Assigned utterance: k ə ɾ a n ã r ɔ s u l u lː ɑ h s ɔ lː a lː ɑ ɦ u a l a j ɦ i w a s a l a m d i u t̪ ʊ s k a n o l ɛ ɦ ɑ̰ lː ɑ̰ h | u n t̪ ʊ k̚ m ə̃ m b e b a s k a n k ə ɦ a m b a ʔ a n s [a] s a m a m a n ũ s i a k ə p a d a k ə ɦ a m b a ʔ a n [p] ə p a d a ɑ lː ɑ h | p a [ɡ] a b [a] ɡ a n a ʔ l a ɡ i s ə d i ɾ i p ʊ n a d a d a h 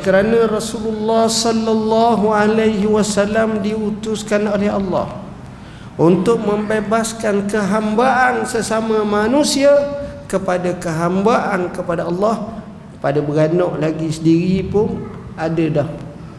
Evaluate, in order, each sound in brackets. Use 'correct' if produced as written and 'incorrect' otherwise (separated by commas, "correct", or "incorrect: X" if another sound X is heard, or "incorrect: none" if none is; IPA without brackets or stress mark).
incorrect: ə, incorrect: k, incorrect: d, incorrect: ə